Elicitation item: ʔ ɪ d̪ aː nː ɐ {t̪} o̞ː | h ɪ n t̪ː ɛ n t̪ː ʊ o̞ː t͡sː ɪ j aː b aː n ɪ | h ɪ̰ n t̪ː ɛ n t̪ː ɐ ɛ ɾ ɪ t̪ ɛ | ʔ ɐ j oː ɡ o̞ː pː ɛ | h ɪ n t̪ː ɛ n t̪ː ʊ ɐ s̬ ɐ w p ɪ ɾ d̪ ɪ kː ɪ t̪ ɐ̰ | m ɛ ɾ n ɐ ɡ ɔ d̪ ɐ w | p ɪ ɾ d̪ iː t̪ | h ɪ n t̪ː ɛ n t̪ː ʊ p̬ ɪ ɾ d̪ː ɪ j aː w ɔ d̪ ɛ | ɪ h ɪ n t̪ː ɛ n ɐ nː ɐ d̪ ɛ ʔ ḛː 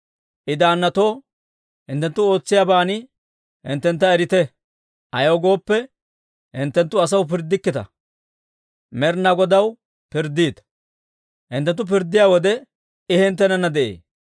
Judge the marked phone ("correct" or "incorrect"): correct